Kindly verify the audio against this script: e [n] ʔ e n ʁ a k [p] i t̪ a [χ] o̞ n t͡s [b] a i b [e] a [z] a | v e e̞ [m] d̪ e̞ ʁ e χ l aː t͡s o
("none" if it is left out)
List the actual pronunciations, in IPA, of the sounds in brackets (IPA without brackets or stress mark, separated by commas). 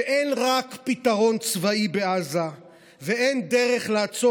none, p, ʁ, v, e, z, n